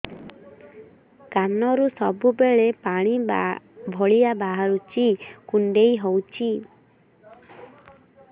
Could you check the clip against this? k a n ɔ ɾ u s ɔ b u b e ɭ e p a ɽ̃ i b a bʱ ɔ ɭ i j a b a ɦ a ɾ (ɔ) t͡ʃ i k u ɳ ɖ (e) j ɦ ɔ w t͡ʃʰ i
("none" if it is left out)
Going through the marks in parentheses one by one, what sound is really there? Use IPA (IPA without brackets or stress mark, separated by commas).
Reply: u, e